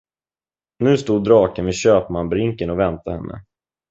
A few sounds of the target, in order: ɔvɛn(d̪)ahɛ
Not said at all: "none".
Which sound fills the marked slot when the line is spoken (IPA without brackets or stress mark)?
t̪